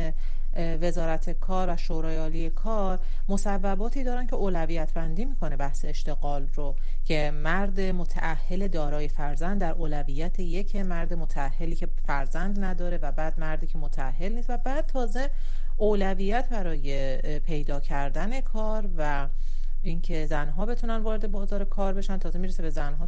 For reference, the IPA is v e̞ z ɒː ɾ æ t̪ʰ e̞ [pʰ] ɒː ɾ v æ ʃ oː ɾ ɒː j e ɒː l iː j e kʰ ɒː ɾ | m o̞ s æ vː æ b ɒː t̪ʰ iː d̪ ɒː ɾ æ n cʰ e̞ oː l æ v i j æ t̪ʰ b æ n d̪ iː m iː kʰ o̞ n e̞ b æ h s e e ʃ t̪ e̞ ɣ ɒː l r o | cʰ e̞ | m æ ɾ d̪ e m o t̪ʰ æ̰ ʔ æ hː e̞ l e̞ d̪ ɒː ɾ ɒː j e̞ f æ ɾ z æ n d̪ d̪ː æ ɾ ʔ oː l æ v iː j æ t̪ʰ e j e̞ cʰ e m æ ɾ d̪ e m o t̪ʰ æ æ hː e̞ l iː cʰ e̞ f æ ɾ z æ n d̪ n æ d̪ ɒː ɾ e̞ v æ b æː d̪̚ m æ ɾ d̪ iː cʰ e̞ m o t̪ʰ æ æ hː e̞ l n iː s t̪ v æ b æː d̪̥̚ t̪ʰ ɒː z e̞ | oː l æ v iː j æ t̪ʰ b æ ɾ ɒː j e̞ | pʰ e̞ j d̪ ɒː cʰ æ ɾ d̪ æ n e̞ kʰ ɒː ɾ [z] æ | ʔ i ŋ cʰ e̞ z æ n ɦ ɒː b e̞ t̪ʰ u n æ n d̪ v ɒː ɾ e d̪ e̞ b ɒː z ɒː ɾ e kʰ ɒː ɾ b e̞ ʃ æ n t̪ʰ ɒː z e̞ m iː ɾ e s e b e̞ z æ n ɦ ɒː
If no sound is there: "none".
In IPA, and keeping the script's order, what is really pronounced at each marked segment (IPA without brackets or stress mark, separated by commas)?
kʰ, v